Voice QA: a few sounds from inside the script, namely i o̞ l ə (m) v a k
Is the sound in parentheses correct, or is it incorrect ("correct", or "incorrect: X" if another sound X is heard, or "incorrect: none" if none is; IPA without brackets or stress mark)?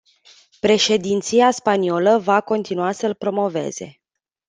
incorrect: none